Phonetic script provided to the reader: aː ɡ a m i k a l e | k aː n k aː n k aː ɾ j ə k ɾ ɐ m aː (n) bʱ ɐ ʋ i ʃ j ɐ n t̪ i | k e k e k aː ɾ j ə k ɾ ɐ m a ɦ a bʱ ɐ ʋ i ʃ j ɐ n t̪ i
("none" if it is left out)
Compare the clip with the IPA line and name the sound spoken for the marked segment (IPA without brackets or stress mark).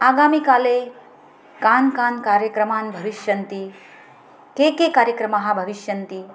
n